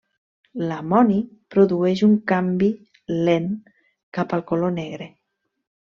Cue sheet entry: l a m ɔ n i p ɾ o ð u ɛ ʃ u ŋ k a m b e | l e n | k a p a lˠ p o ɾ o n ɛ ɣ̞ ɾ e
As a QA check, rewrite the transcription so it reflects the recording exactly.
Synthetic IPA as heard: l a m ɔ n i p ɾ o ð u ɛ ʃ u ŋ k a m b i | l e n | k a p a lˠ k o l o n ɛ ɣ̞ ɾ e